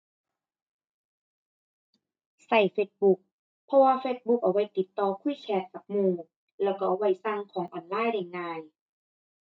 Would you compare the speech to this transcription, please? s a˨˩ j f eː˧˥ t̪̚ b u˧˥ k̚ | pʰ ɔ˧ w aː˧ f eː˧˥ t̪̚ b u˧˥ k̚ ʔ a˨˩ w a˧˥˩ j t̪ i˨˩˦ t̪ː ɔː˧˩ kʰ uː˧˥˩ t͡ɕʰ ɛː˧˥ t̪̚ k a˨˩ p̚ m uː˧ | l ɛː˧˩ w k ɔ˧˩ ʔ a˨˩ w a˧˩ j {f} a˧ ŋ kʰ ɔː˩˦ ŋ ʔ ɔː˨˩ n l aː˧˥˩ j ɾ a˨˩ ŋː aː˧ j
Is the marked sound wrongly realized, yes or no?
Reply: yes